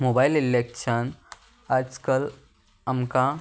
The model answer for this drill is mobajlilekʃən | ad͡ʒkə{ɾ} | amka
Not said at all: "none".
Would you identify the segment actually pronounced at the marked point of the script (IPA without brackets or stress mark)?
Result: l